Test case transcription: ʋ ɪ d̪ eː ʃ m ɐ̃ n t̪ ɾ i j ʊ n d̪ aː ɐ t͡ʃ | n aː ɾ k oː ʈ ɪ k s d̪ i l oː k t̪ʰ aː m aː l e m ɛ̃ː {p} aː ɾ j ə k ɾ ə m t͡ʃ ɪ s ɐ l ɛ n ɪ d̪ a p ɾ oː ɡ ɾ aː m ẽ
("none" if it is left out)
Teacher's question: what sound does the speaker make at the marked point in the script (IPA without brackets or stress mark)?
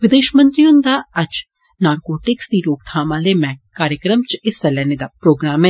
k